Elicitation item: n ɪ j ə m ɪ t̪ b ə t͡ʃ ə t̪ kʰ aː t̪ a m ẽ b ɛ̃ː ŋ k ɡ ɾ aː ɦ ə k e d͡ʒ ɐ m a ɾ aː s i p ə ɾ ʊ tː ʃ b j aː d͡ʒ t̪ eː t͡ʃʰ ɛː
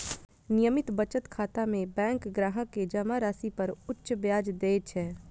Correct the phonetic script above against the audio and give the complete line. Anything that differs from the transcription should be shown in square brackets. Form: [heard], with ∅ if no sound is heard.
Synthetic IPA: n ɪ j ə m ɪ t̪ b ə t͡ʃ ə t̪ kʰ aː t̪ a m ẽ b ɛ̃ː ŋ k ɡ ɾ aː ɦ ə k e d͡ʒ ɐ m a ɾ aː s i p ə ɾ ʊ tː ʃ b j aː d͡ʒ [d̪] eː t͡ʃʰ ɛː